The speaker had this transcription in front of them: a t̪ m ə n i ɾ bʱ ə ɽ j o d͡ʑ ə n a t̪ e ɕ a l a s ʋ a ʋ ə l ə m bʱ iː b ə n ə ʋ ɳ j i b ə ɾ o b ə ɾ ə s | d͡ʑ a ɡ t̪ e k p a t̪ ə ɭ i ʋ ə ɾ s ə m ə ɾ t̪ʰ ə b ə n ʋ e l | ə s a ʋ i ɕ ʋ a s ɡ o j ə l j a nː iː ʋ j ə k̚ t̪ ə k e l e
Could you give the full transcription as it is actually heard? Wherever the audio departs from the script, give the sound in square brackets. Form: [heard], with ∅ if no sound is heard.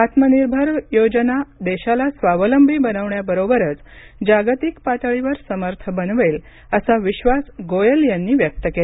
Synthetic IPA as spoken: a t̪ m ə n i ɾ bʱ ə [ɾ] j o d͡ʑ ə n a [d̪] e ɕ a l a s ʋ a ʋ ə l ə m bʱ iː b ə n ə ʋ ɳ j [a] b ə ɾ o b ə ɾ ə [t͡s] | d͡ʑ a ɡ t̪ [i] k p a t̪ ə ɭ i ʋ ə ɾ s ə m ə ɾ t̪ʰ ə b ə n ʋ e l | ə s a ʋ i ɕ ʋ a s ɡ o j ə l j a nː iː ʋ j ə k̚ t̪ ə k e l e